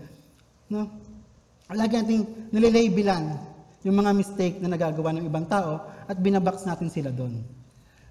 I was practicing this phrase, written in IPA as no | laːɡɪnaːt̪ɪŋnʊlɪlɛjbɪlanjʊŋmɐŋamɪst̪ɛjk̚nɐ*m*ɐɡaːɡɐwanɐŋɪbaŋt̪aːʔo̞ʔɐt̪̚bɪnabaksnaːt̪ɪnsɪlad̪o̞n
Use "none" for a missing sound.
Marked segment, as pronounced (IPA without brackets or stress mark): n